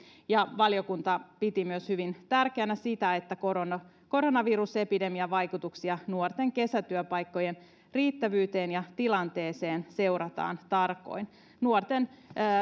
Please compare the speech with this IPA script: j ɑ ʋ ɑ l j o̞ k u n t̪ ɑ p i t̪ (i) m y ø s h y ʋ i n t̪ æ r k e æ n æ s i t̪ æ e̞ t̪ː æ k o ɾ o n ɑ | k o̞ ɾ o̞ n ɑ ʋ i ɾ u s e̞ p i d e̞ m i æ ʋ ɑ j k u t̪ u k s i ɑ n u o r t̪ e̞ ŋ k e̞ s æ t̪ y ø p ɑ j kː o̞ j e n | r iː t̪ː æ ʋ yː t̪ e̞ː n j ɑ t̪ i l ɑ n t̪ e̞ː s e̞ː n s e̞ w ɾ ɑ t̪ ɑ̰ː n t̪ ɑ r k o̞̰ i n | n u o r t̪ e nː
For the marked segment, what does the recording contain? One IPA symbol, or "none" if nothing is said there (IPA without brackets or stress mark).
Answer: i